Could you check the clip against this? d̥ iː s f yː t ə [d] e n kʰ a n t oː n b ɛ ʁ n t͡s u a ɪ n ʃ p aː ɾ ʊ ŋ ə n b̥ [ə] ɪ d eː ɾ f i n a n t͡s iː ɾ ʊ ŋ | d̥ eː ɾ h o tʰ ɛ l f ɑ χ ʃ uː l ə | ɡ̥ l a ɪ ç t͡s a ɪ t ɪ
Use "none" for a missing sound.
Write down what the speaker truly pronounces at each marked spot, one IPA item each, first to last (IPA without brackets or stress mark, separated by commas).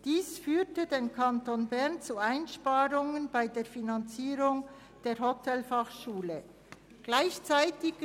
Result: d, a